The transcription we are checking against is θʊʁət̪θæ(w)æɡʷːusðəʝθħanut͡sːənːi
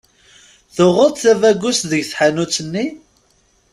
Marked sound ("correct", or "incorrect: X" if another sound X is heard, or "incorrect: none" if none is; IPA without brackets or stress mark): incorrect: v